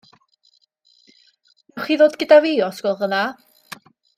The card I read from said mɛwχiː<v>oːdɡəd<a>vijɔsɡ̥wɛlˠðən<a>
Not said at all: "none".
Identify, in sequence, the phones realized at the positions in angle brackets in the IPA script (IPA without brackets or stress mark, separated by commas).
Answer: ð, a, a